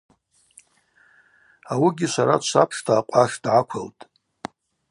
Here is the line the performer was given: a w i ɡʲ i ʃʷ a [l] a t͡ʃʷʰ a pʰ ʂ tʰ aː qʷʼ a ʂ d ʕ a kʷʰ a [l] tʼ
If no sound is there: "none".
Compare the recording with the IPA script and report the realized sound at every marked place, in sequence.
ɾ, l

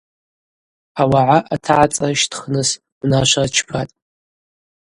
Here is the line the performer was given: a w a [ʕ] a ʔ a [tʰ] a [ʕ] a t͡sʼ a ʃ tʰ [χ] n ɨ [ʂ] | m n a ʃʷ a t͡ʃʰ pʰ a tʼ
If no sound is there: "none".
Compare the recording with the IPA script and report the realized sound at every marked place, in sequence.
ʕ, tʰ, ʕ, χ, s

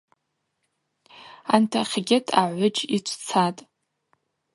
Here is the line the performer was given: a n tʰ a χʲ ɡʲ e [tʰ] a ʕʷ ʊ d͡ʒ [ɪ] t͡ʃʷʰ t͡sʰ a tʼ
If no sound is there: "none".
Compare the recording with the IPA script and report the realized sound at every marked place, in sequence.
tʰ, i

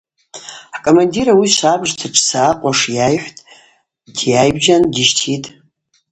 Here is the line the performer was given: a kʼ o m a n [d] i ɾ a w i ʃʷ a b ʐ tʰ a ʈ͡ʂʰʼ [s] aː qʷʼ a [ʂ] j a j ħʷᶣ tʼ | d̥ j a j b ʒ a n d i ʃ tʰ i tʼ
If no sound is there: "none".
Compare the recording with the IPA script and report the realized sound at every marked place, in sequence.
d, s, ʂ

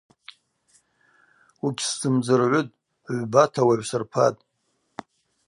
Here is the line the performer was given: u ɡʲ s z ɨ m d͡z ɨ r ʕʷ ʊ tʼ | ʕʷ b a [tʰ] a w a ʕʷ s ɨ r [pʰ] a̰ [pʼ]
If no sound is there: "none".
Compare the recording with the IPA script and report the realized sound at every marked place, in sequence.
tʰ, pʰ, tʼ

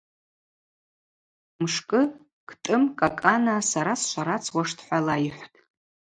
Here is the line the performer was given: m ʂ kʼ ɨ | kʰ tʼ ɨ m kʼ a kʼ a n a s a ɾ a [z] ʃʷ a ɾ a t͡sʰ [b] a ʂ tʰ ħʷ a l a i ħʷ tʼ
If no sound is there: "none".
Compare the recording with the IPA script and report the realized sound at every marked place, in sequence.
s, w

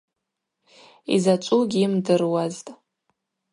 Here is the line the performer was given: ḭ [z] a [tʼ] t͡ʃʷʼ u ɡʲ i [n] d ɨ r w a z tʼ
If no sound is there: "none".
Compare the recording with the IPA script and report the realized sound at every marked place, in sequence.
z, none, m

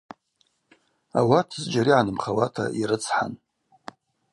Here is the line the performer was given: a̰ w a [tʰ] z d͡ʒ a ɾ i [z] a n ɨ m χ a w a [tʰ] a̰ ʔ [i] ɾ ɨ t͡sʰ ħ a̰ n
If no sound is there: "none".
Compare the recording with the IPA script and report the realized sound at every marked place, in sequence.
tʰ, ʕ, tʰ, i

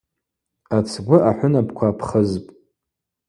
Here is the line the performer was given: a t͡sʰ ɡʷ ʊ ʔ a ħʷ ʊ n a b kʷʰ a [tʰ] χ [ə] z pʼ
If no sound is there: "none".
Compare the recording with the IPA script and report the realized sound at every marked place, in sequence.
pʰ, ə

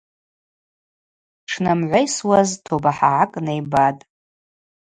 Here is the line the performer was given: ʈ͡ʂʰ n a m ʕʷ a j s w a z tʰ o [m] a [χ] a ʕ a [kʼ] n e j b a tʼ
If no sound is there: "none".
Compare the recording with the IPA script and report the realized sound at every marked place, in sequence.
b, ħ, kʼ

